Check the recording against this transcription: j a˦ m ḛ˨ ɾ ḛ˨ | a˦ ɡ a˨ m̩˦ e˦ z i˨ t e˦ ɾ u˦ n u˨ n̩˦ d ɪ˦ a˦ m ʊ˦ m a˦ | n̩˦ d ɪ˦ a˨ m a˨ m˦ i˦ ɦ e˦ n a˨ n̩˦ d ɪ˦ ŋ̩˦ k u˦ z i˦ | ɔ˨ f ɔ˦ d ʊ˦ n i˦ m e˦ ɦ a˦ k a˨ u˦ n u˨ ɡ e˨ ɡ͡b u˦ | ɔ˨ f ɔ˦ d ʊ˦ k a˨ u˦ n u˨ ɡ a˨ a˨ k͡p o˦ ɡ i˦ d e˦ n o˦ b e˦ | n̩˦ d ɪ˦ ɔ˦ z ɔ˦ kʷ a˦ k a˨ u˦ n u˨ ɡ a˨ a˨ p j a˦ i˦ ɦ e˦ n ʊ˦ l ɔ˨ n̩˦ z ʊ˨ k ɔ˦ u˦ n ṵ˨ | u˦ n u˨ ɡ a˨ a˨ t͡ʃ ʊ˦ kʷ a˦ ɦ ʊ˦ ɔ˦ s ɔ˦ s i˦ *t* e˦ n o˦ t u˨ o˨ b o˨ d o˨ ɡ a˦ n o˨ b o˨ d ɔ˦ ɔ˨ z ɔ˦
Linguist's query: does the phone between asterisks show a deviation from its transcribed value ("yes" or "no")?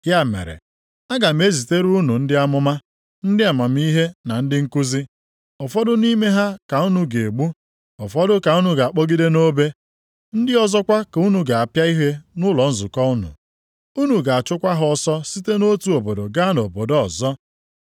no